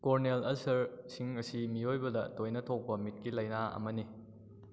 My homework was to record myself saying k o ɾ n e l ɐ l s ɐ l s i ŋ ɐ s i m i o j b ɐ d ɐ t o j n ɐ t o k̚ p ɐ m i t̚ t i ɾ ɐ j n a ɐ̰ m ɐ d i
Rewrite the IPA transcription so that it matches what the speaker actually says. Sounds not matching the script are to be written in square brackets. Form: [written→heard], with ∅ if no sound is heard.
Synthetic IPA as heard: k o ɾ n e l ɐ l s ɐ [l→ɾ] s i ŋ ɐ s i m i o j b ɐ d ɐ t o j n ɐ [t→tʰ] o k̚ p ɐ m i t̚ [t→k] i [ɾ→l] ɐ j n a ɐ̰ m ɐ [d→n] i